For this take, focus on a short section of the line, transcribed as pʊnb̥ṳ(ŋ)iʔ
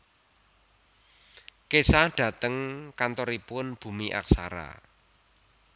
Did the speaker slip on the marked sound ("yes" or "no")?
yes